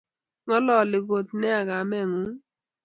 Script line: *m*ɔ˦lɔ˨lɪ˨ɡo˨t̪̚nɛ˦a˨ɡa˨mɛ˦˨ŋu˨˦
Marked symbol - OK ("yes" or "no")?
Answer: no